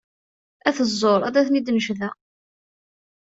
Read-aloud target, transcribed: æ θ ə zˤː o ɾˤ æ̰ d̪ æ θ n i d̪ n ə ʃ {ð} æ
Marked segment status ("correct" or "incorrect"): correct